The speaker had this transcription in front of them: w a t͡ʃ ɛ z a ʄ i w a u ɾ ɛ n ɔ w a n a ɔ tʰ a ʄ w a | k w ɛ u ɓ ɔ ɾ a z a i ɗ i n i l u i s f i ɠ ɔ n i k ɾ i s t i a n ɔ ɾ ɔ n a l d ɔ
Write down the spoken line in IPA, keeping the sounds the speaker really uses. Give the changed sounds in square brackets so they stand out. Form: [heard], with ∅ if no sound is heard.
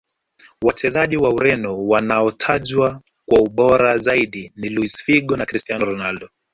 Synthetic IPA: w a t͡ʃ ɛ z a ʄ i w a u ɾ ɛ n ɔ w a n a ɔ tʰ a ʄ w a | k w [a] u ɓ ɔ ɾ a z a i ɗ i n i l u i s f i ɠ ɔ n [a] k ɾ i s t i a n ɔ ɾ ɔ n a l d ɔ